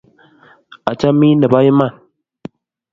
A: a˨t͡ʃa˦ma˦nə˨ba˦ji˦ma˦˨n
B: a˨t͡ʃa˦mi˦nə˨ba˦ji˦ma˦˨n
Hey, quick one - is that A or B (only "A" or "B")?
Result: B